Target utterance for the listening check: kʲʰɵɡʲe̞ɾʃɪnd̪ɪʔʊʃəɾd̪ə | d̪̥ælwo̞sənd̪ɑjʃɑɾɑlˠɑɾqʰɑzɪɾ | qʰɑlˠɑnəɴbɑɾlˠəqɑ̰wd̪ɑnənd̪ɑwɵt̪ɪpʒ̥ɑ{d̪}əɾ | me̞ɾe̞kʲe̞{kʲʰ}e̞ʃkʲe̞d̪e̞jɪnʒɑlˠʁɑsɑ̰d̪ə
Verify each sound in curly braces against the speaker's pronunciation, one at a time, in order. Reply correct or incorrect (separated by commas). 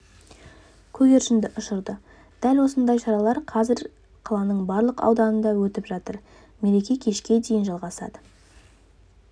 incorrect, correct